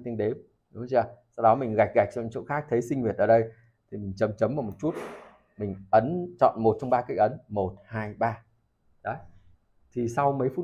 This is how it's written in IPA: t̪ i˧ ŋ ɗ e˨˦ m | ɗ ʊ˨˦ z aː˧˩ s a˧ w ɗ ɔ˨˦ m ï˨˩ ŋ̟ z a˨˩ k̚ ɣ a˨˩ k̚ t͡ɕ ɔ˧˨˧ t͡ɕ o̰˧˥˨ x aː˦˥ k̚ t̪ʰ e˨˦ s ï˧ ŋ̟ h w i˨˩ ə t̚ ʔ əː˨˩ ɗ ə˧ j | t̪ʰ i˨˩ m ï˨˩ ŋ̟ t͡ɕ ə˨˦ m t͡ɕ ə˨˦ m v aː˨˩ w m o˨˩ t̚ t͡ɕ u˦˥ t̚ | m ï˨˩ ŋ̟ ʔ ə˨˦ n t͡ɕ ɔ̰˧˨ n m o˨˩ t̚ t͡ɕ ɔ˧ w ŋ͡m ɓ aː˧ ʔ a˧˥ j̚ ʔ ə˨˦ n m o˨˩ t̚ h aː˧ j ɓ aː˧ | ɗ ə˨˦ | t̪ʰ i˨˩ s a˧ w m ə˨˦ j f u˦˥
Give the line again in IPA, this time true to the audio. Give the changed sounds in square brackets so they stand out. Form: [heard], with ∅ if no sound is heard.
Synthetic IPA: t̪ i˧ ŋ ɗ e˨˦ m | ɗ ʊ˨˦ z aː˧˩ s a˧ w ɗ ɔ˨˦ m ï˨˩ ŋ̟ [ɣ] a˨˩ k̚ ɣ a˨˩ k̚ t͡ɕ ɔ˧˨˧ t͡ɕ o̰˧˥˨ x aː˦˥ k̚ t̪ʰ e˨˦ s ï˧ ŋ̟ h w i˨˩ ə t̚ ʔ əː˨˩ ɗ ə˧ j | t̪ʰ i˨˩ m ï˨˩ ŋ̟ t͡ɕ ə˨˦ m t͡ɕ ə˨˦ m v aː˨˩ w m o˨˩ t̚ t͡ɕ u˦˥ t̚ | m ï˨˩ ŋ̟ ʔ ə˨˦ n t͡ɕ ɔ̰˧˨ n m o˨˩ t̚ t͡ɕ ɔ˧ w ŋ͡m ɓ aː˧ [k] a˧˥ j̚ ʔ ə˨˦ n m o˨˩ t̚ h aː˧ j ɓ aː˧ | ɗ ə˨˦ | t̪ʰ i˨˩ s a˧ w m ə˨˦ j f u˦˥